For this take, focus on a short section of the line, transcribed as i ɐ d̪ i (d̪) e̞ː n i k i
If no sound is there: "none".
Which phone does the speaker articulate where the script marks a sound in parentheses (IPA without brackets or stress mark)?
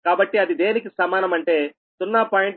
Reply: d̪